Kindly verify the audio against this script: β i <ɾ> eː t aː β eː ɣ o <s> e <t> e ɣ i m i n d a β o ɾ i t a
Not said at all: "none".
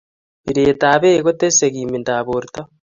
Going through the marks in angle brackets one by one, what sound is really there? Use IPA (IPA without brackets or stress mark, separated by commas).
ɾ, t, s